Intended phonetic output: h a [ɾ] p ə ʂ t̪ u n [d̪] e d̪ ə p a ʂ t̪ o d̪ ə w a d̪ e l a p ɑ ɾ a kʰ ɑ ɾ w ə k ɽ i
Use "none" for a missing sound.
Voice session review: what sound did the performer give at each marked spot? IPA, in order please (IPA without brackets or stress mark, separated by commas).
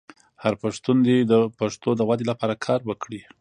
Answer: ɾ, d̪